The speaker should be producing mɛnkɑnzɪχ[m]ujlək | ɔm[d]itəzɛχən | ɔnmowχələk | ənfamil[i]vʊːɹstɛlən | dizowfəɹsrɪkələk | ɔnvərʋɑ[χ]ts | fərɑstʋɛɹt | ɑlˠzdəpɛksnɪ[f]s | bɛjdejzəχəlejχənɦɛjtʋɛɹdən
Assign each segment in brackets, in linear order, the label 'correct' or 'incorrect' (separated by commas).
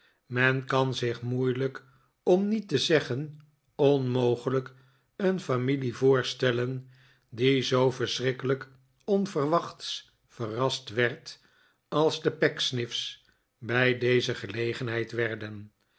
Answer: correct, incorrect, correct, correct, correct